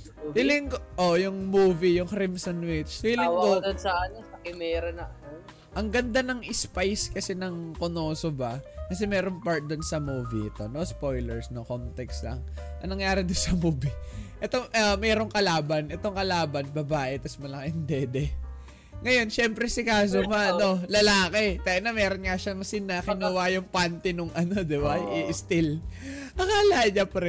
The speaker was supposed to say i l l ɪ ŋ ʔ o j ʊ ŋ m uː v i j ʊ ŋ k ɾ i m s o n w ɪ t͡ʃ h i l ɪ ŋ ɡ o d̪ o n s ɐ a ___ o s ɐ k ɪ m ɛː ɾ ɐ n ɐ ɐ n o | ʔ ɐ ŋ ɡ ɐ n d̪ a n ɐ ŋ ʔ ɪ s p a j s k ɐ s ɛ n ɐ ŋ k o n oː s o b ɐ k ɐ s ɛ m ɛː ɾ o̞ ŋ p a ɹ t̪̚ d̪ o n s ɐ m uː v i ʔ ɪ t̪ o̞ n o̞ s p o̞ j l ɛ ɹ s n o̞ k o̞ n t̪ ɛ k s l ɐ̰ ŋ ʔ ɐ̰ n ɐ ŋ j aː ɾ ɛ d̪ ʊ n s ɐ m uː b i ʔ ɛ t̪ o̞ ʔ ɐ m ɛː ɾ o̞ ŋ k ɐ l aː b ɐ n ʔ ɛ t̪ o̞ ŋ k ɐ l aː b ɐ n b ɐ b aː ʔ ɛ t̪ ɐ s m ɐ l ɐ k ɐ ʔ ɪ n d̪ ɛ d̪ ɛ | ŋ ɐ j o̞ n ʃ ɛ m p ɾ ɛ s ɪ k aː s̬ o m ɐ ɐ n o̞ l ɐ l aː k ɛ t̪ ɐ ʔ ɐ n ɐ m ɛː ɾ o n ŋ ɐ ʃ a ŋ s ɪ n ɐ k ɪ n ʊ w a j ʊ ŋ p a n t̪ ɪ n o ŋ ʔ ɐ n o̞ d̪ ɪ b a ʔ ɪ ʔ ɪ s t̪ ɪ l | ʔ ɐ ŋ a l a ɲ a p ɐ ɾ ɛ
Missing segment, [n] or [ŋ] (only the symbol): n